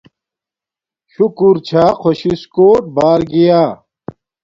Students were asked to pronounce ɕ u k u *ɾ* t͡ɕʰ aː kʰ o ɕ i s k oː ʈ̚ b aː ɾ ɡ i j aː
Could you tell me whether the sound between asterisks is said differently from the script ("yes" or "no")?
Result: no